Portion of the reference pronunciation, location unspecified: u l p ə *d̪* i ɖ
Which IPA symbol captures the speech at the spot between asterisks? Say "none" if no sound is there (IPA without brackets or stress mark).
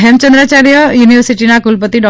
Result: t̪